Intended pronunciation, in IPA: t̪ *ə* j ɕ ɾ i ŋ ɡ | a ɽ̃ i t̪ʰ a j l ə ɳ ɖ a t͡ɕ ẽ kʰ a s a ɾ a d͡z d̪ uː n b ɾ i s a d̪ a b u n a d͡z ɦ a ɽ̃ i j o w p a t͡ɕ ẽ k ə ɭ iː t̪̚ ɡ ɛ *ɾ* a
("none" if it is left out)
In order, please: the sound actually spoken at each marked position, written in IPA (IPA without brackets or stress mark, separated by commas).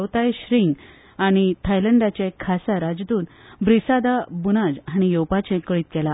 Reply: a, l